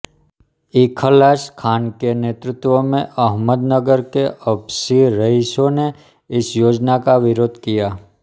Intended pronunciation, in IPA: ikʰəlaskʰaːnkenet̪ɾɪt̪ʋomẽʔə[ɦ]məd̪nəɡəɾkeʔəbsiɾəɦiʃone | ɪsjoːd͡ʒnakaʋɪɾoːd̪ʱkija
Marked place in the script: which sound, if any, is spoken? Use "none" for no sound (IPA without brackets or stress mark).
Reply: ɦ